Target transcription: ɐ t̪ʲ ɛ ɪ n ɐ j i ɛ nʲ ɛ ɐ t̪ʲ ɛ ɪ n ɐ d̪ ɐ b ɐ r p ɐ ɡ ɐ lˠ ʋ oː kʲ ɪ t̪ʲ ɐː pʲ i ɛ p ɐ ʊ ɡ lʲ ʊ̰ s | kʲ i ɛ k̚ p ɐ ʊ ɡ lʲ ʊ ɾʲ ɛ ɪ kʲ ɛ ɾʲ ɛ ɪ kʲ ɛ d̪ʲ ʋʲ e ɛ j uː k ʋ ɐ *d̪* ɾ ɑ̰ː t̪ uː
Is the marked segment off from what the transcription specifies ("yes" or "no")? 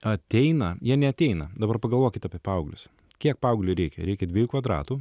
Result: no